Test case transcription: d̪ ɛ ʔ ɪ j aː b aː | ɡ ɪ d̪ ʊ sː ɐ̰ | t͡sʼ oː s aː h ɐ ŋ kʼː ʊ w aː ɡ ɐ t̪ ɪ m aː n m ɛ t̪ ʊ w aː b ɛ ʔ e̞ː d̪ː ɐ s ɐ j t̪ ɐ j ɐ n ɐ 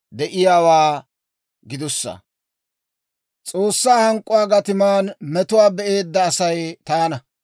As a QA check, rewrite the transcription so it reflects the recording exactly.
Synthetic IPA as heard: d̪ ɛ ʔ ɪ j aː w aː | ɡ ɪ d̪ ʊ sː ɐ̰ | t͡sʼ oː sː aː h ɐ ŋ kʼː ʊ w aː ɡ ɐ t̪ ɪ m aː n m ɛ t̪ ʊ w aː b ɛ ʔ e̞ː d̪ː ɐː s ɐ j t̪ ɐ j ɐ n ɐ